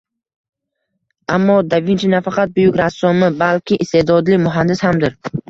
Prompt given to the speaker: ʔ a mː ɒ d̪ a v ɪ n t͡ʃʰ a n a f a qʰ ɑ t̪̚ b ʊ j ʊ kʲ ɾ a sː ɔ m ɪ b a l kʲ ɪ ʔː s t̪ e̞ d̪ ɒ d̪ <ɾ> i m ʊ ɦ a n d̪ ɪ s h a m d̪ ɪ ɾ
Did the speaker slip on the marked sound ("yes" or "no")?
yes